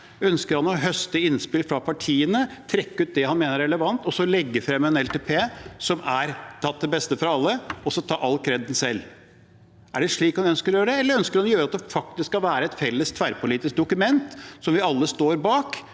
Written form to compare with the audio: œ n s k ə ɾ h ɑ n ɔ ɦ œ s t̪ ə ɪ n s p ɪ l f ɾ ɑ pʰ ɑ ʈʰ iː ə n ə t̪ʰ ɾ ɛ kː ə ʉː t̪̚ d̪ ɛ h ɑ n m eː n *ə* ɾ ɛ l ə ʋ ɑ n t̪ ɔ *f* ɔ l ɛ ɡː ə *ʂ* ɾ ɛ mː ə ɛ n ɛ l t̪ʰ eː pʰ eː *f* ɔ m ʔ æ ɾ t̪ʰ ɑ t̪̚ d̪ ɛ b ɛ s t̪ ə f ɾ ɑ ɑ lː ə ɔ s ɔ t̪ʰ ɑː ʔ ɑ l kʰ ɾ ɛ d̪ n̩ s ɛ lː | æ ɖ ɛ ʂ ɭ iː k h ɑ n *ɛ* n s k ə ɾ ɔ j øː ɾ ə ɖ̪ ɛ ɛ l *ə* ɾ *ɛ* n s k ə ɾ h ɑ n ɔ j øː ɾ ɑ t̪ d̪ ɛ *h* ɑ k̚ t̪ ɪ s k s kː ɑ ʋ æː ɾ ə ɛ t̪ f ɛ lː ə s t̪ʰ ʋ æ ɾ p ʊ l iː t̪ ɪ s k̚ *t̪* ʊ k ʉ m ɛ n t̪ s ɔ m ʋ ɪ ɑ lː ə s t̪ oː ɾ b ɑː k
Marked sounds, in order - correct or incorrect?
correct, incorrect: s, incorrect: f, incorrect: s, incorrect: œ, correct, incorrect: œ, incorrect: f, incorrect: d̪

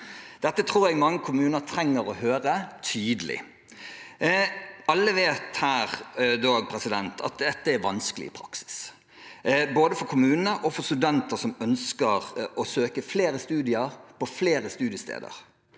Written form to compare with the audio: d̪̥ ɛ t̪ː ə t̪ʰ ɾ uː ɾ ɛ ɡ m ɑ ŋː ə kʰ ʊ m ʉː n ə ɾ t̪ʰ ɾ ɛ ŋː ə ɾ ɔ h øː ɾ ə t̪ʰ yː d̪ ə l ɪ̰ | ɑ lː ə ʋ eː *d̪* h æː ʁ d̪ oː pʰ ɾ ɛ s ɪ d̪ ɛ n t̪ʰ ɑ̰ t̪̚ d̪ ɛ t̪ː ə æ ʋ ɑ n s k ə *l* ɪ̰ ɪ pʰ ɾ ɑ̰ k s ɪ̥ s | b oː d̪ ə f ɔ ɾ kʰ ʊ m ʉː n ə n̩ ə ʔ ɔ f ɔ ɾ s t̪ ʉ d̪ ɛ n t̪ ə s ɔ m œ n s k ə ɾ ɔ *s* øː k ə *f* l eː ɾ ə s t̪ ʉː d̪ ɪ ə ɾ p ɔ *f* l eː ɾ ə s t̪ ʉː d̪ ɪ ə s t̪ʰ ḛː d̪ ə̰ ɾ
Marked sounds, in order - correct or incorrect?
incorrect: t̪, correct, correct, correct, correct

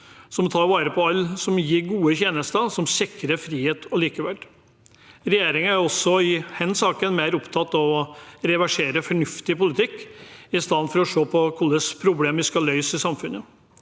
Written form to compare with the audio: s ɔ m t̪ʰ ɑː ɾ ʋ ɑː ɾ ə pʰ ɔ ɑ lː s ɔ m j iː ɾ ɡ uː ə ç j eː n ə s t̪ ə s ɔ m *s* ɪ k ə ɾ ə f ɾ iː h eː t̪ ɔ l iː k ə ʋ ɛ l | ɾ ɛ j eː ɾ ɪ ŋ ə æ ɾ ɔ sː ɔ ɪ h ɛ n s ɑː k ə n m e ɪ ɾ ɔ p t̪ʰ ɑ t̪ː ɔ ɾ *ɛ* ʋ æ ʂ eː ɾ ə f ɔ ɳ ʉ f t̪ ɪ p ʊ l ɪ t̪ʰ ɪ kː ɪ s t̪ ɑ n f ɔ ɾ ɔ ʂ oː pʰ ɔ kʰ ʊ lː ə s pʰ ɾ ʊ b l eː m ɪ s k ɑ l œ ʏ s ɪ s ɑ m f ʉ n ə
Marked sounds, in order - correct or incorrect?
correct, correct

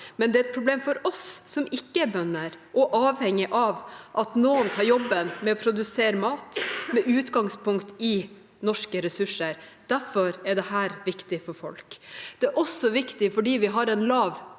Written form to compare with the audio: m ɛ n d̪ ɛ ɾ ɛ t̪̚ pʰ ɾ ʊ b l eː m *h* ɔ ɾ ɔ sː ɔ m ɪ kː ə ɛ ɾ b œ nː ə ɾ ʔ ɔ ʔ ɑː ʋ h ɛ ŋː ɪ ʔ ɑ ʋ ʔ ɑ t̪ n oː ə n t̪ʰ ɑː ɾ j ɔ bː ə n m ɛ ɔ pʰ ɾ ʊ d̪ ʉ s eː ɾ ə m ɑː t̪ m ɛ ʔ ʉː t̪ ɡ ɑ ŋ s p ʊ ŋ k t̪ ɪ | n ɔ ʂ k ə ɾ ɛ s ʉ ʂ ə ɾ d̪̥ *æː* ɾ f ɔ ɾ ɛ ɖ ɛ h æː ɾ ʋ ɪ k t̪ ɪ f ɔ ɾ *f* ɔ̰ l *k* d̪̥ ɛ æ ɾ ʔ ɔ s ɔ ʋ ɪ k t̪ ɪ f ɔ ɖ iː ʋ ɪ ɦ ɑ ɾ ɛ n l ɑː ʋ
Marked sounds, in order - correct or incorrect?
incorrect: f, incorrect: æ, correct, correct

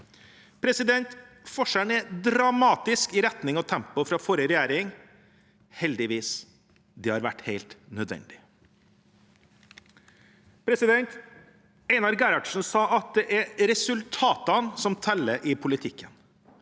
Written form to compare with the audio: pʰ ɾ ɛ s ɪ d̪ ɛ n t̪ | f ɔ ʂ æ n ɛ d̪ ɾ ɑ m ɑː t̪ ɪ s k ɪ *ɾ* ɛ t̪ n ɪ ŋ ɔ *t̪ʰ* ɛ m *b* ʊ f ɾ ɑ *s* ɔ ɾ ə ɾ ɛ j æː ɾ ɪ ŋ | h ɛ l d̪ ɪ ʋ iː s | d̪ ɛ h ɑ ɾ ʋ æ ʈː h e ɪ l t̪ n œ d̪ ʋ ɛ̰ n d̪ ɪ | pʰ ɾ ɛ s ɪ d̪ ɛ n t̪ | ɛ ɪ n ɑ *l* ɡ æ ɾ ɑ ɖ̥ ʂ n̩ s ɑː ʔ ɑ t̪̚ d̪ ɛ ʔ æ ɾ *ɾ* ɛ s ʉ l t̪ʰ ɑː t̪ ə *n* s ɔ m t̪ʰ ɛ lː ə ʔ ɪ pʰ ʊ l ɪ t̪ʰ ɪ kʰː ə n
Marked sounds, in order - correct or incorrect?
correct, correct, incorrect: p, incorrect: f, incorrect: ɾ, correct, correct

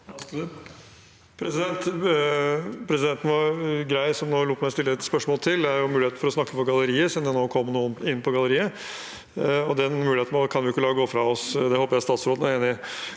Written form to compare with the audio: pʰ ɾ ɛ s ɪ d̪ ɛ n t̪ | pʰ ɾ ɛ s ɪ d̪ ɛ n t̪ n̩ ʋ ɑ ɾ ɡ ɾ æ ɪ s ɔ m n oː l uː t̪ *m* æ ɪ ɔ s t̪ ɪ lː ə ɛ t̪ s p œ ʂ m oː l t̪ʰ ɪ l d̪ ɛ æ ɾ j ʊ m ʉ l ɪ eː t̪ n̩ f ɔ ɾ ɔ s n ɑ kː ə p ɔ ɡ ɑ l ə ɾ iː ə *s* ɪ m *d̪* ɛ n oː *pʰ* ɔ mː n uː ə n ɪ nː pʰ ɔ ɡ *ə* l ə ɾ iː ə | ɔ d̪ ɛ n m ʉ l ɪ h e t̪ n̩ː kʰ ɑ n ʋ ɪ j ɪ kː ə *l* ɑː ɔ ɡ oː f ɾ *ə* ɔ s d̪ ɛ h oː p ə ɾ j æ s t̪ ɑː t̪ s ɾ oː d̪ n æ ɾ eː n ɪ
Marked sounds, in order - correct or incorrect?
correct, correct, correct, incorrect: kʰ, incorrect: ɑ, correct, incorrect: ɑ

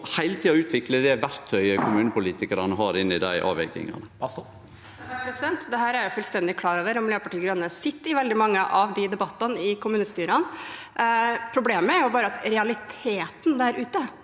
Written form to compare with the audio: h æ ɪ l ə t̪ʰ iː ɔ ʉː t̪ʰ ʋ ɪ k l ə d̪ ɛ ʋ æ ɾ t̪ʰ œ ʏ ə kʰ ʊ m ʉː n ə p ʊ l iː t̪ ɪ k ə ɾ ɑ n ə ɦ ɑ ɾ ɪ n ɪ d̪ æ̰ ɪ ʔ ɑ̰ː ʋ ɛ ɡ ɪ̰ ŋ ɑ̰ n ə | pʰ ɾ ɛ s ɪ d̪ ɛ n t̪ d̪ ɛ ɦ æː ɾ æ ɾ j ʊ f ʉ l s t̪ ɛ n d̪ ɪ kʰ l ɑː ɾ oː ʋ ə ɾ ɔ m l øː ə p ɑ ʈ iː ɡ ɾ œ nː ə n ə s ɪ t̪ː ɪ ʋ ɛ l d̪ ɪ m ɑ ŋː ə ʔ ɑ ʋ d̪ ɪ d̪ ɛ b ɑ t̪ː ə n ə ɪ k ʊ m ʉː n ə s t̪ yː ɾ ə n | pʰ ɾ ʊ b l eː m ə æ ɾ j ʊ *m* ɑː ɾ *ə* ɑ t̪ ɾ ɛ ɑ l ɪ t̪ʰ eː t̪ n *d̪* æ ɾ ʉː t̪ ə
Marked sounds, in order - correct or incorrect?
incorrect: b, correct, correct

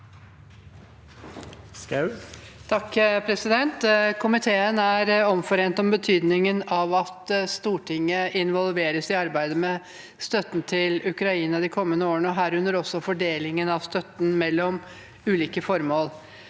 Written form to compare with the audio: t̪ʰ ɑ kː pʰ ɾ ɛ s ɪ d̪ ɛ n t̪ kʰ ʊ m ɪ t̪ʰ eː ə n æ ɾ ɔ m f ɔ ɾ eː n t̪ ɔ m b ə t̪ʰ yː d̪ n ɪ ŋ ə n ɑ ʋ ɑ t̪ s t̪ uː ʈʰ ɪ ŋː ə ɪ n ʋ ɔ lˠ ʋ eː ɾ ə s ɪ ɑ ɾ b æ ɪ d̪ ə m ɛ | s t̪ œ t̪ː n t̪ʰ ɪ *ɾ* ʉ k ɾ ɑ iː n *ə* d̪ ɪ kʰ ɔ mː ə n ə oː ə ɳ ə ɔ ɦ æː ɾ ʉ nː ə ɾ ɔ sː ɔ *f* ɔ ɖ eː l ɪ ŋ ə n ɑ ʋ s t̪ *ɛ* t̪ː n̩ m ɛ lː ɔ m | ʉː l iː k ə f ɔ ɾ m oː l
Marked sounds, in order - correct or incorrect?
incorrect: l, incorrect: ɑ, correct, incorrect: œ

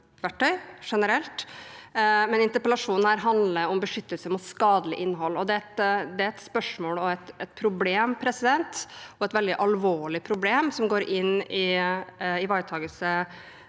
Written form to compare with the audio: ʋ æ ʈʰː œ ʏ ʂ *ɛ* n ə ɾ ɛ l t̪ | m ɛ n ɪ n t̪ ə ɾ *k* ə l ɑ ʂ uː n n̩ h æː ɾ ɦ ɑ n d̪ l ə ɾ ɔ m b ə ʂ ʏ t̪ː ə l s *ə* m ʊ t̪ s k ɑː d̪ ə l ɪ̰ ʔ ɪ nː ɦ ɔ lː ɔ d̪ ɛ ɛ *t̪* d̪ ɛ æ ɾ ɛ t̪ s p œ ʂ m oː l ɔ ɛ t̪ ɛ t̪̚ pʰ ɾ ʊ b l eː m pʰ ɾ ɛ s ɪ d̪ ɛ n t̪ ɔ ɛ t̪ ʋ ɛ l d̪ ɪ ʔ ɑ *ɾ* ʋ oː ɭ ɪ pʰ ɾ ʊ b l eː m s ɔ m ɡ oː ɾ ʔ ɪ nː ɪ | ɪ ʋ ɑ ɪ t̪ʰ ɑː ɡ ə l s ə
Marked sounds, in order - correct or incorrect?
correct, incorrect: p, correct, correct, incorrect: l

